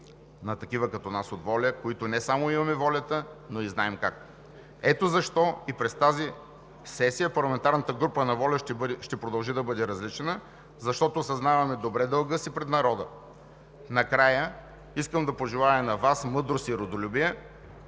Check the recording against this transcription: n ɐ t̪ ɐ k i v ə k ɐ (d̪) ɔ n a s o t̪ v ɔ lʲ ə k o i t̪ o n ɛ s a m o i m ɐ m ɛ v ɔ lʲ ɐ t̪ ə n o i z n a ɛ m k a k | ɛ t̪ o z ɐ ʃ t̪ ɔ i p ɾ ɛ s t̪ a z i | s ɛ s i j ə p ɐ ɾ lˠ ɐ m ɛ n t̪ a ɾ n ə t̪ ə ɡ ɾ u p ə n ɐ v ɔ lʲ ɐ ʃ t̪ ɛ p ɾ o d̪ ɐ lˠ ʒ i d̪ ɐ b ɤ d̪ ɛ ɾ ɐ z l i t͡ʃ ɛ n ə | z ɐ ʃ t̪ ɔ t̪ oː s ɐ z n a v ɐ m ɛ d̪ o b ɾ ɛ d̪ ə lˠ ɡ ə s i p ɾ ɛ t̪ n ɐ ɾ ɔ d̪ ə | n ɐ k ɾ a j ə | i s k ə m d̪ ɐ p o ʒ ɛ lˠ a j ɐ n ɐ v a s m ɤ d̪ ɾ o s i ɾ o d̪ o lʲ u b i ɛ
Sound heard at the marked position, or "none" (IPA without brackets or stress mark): t̪